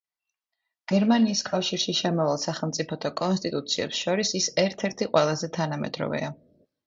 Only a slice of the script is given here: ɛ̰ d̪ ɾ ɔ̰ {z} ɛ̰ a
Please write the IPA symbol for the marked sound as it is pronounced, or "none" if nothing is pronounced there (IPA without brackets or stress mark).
v